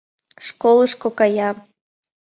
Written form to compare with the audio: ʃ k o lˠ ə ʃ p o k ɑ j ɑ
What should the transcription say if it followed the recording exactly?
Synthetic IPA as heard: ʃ k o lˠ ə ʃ k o k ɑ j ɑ

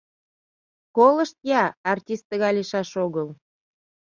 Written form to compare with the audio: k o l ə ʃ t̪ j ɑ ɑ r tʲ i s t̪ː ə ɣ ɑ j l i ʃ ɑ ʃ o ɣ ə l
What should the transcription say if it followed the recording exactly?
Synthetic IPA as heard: k o l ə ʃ t̪ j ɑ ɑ r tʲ i s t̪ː ə ɣ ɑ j l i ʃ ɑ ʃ o ɣ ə l

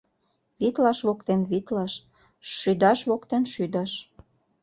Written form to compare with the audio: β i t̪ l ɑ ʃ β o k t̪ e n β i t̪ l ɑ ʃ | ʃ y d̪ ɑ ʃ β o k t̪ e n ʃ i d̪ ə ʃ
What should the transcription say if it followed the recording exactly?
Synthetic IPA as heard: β i t̪ l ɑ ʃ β o k t̪ e n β i t̪ l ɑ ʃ | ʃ y d̪ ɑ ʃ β o k t̪ e n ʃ y d̪ ɑ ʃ

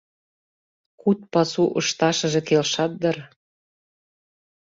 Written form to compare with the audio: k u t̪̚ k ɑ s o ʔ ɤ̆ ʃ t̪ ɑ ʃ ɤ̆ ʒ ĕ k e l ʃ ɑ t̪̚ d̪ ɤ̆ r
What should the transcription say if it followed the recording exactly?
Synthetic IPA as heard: k u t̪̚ p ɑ s u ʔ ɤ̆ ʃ t̪ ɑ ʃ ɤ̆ ʒ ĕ k e l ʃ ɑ t̪̚ d̪ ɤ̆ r

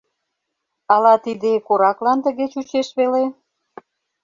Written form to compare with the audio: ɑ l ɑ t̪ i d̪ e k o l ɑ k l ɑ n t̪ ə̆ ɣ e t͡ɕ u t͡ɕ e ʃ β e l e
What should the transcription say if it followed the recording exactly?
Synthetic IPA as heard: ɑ l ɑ t̪ i d̪ e k o ɾ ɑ k l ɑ n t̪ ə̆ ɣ e t͡ɕ u t͡ɕ e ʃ β e l e

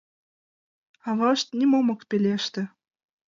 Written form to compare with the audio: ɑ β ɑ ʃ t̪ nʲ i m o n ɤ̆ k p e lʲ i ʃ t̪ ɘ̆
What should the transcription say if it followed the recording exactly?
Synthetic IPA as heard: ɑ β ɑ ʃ t̪ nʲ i m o m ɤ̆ k p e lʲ e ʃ t̪ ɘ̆

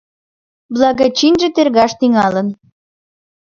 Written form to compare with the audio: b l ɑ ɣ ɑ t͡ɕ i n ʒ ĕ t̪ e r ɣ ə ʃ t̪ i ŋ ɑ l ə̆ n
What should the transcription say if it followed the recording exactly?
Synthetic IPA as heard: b l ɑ ɣ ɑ t͡ɕ i n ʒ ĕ t̪ e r ɣ ɑ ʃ t̪ i ŋ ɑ l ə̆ n

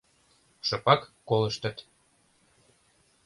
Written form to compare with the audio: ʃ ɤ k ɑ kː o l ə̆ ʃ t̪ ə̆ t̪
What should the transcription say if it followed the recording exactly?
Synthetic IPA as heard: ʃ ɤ p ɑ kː o l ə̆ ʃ t̪ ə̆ t̪

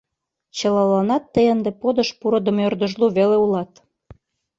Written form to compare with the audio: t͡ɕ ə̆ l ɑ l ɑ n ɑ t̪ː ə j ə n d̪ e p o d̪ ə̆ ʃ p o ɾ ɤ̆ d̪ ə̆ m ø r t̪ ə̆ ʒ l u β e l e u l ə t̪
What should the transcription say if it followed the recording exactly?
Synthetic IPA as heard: t͡ɕ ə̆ l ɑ l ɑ n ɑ t̪ː ə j ə n d̪ e p o d̪ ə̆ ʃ p u ɾ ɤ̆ d̪ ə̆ m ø r d̪ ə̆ ʒ l u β e l e u l ɑ t̪

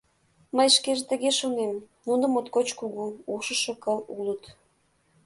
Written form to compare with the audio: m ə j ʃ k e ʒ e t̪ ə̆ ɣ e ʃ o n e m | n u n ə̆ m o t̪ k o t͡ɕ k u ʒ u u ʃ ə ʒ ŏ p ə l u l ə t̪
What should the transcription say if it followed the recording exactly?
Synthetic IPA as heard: m ə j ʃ k e ʒ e t̪ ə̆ ɣ e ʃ o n e m | n u n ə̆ m o t̪ k o t͡ɕ k u ɣ u u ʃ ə ʃ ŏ k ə l u l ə t̪

